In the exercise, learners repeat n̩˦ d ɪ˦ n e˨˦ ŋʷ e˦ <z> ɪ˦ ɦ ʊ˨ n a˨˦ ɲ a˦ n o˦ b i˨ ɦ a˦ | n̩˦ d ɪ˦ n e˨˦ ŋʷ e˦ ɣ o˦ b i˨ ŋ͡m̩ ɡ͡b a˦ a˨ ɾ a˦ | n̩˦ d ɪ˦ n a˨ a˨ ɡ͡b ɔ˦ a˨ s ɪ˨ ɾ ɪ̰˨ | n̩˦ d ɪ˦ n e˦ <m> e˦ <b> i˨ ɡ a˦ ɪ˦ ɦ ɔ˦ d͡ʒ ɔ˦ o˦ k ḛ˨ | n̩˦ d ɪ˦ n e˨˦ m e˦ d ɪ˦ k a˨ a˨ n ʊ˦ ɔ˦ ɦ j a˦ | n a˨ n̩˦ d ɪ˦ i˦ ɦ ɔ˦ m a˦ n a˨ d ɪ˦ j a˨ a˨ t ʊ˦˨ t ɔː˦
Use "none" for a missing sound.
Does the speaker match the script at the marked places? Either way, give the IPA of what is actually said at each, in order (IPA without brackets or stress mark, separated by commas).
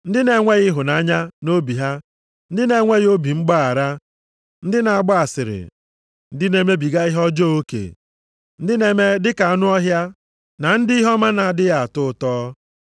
ɣ, m, b